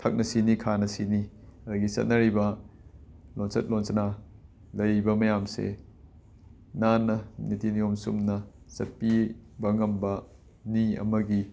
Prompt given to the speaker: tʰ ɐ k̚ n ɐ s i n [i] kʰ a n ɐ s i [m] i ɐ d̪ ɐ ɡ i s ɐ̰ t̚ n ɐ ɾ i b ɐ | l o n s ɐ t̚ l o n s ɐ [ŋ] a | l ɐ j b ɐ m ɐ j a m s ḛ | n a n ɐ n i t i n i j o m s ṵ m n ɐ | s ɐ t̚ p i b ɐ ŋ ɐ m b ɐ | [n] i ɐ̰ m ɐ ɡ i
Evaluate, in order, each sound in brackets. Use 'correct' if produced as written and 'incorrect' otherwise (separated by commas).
correct, incorrect, incorrect, correct